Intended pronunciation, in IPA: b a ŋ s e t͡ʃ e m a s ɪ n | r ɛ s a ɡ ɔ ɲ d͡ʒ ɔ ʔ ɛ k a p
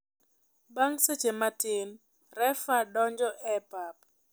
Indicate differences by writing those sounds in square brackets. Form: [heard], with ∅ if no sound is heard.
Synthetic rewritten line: b a ŋ s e t͡ʃ e m a [t] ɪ n | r ɛ [f] a [d] ɔ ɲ d͡ʒ ɔ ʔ ɛ [p] a p